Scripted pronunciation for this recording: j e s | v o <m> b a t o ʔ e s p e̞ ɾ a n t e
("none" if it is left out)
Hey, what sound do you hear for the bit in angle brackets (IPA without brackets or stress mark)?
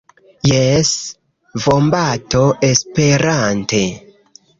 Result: m